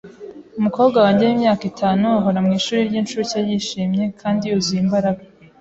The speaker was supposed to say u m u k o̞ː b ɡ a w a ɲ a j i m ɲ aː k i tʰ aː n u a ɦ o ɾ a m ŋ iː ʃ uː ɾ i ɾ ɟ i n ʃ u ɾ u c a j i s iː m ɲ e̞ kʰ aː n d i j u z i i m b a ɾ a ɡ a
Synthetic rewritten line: u m u k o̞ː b ɡ a w a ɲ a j i m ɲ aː k i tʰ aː n u a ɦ o ɾ a m ŋ iː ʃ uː ɾ i ɾ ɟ i n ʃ u ɾ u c a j i ʃ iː m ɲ e̞ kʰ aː n d i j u z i i m b a ɾ a ɡ a